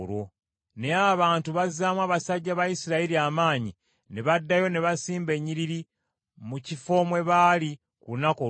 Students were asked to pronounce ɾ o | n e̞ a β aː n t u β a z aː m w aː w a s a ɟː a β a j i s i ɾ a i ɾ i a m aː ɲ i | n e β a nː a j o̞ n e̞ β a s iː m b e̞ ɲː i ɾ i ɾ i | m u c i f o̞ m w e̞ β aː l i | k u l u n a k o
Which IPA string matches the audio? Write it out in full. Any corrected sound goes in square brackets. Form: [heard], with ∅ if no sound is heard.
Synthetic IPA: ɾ o | n e̞ a β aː n t u β a z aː m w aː [β] a s a ɟː a β a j i s i ɾ a i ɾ i a m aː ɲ i | n e β a [dː] a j o̞ n e̞ β a s iː m b e̞ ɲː i ɾ i ɾ i | m u c i f o̞ m w e̞ β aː l i | k u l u n a k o